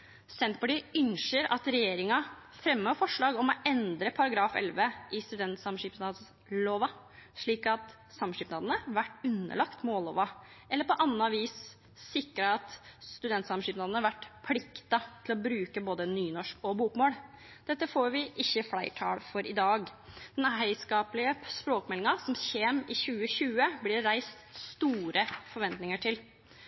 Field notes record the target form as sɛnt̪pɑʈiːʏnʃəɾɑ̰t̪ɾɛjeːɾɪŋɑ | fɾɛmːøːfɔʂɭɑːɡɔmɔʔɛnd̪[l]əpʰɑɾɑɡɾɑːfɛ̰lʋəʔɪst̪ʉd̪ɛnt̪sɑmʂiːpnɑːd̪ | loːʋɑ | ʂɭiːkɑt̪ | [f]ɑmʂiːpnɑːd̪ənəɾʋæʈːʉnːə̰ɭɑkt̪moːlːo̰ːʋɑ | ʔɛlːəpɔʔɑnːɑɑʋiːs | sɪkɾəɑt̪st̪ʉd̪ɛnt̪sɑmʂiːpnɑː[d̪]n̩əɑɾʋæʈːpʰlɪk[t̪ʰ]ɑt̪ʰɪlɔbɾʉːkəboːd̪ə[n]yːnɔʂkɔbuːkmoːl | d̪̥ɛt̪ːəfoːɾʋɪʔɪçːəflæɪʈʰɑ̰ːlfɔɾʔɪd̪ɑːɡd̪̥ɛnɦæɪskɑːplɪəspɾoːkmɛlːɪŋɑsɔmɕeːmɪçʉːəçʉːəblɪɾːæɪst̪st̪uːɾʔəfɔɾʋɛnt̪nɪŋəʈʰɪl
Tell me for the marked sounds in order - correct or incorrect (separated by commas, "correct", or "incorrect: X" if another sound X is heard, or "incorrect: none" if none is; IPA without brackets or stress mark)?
incorrect: ɾ, incorrect: s, correct, incorrect: t̪, correct